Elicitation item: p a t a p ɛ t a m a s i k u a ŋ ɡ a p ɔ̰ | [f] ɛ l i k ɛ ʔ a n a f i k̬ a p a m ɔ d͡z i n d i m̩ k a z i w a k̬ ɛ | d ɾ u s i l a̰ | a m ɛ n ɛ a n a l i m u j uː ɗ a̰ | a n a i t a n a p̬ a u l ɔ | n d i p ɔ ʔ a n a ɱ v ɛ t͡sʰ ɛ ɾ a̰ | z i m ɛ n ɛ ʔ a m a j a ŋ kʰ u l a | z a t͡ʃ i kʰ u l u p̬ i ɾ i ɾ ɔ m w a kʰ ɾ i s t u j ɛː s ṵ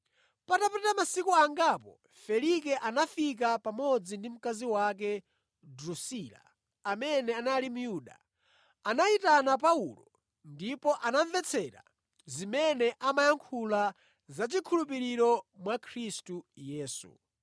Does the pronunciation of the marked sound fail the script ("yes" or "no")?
no